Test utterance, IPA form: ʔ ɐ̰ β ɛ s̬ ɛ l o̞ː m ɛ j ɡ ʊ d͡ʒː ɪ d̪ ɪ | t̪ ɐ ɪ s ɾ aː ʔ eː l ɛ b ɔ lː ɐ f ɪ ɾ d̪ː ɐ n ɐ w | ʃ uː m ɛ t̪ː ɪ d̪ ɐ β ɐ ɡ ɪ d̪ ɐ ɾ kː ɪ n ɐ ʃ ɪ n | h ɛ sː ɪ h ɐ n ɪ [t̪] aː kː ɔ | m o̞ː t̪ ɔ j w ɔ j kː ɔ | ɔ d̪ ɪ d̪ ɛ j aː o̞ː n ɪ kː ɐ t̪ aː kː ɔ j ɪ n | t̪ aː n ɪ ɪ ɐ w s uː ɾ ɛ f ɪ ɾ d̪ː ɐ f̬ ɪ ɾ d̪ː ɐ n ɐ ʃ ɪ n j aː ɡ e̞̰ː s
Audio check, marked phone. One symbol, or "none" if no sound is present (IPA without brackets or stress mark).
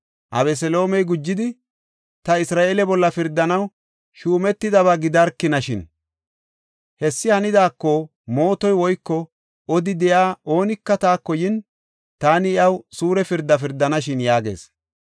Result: d̪